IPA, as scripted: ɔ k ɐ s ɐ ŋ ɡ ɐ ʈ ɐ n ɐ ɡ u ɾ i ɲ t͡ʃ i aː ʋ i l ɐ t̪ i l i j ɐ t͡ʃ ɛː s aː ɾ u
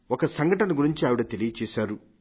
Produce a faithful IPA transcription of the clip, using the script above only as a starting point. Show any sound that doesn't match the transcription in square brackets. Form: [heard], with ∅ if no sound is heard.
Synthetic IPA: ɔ k ɐ s ɐ ŋ ɡ ɐ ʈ ɐ n ɐ ɡ u ɾ i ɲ t͡ʃ i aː ʋ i [ɽ] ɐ t̪ [e] l i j ɐ t͡ʃ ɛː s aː ɾ u